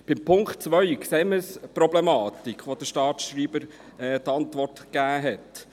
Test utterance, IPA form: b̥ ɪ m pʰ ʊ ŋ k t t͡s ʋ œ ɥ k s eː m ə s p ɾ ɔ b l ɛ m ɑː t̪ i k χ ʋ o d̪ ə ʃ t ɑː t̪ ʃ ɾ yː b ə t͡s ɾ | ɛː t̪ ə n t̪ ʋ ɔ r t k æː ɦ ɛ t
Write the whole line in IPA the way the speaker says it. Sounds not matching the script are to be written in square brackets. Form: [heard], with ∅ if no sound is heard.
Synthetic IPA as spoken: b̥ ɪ m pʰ ʊ ŋ k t t͡s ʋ œ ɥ k s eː m ə s p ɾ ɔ b l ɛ m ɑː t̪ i k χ ʋ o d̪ ə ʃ t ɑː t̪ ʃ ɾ [iː] b ə [∅] ɾ | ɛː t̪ [ɑ] n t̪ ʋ ɔ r t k æː ɦ ɛ t